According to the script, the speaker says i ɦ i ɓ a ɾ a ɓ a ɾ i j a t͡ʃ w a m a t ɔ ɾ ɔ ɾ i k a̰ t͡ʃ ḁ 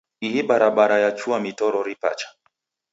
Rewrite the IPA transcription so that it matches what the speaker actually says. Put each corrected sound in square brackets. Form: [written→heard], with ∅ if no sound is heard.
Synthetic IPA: i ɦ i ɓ a ɾ a ɓ a ɾ [i→a] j a t͡ʃ [w→u] a m [a→i] t ɔ ɾ ɔ ɾ i [k→p] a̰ t͡ʃ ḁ